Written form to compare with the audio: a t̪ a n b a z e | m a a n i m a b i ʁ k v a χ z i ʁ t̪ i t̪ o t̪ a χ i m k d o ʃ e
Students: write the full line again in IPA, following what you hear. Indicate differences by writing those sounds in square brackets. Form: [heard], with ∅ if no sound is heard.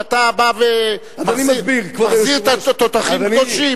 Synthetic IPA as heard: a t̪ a [∅] b a [v] e | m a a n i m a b i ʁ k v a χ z i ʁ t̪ [a] t̪ o t̪ a χ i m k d o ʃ [i]